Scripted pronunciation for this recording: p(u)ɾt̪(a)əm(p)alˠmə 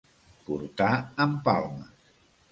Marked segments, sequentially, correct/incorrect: correct, correct, correct

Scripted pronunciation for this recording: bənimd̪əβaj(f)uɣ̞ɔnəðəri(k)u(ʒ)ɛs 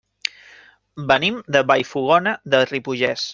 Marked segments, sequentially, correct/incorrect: correct, incorrect: p, correct

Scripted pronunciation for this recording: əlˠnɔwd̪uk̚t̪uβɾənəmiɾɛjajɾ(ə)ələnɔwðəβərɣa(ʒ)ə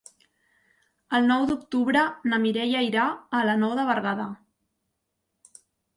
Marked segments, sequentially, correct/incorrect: incorrect: a, incorrect: ð

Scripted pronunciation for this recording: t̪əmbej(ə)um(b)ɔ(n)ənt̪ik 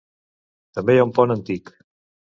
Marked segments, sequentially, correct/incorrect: incorrect: a, incorrect: p, correct

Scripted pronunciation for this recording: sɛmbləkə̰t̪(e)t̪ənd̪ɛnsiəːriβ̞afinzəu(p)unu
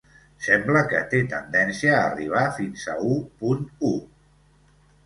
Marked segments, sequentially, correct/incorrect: correct, correct

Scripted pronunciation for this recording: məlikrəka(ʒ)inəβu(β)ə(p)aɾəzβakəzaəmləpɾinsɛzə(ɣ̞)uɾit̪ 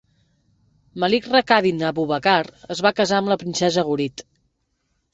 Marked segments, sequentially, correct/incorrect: incorrect: ð, correct, incorrect: k, correct

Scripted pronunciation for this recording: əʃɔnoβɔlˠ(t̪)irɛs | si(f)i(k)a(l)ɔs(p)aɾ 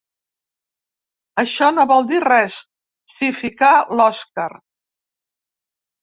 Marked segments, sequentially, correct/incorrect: incorrect: d̪, correct, correct, correct, incorrect: k

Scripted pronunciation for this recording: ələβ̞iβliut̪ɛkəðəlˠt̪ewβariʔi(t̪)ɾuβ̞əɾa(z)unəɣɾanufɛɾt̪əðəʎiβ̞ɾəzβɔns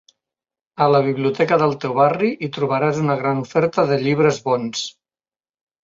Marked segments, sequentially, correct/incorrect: correct, correct

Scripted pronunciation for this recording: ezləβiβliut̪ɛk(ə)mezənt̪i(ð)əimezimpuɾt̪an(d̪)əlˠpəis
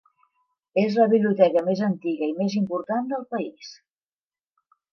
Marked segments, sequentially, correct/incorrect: correct, incorrect: ɣ, correct

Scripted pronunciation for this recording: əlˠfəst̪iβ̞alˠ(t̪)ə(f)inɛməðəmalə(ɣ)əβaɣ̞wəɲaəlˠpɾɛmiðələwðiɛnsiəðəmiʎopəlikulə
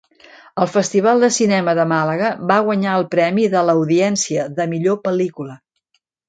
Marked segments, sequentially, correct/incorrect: incorrect: d̪, incorrect: s, correct

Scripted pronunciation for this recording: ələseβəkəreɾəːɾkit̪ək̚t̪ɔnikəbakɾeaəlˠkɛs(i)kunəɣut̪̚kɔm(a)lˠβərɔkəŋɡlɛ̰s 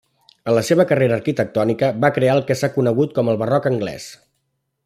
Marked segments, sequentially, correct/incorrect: incorrect: a, incorrect: ə

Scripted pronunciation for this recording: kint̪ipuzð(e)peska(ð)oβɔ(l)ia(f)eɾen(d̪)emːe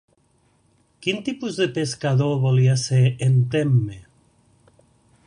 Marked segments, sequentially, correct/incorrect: correct, correct, correct, incorrect: s, incorrect: t̪

